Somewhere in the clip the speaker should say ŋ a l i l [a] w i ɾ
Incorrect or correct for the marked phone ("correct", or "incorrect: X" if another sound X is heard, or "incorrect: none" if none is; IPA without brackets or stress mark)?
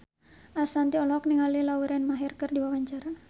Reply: correct